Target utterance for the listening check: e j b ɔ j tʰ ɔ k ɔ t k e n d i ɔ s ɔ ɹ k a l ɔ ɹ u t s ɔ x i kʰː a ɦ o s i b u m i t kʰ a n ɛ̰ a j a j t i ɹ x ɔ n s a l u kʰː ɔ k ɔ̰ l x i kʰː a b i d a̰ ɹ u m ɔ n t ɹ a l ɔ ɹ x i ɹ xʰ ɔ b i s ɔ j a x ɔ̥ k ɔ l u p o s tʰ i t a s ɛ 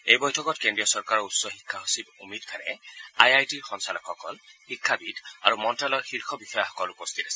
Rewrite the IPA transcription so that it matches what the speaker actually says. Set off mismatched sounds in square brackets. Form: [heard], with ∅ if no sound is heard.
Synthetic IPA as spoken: e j b ɔ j tʰ ɔ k ɔ t k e n d i ɔ s ɔ ɹ k a [ɹ] ɔ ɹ u t s ɔ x i kʰː a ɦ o s i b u m i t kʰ a n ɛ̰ a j a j t i ɹ x ɔ n s a l [ɔ] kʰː ɔ k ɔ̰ l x i kʰː a b i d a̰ ɹ u m ɔ n t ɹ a l ɔ ɹ x i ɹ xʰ ɔ b i [x] ɔ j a x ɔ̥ k ɔ l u p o s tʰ i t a s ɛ